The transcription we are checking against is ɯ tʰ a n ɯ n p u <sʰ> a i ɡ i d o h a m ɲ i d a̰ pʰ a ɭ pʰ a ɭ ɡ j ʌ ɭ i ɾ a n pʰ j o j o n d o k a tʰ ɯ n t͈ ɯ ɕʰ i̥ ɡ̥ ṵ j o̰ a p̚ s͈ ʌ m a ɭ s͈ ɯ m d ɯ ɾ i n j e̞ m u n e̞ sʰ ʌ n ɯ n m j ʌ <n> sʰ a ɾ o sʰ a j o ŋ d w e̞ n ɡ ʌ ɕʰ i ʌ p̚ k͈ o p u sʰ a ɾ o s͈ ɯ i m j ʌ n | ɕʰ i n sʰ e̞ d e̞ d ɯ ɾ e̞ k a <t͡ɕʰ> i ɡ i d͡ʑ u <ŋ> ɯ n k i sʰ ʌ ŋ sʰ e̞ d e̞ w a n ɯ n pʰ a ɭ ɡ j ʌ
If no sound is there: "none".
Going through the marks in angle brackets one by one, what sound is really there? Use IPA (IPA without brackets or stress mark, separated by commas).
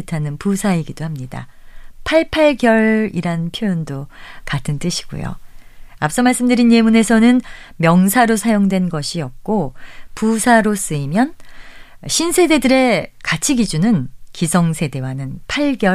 sʰ, ŋ, t͡ɕʰ, n